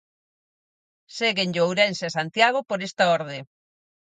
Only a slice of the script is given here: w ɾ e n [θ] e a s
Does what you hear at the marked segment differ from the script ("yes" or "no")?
yes